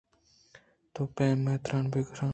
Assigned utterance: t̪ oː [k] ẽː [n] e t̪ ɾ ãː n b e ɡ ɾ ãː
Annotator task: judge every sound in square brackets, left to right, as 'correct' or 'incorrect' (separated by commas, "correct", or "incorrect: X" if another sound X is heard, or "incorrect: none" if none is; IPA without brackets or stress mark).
incorrect: p, incorrect: m